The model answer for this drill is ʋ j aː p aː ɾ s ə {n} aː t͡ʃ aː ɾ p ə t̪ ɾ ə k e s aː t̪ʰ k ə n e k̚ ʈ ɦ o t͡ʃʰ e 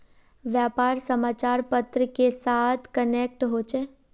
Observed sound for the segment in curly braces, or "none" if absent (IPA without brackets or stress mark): m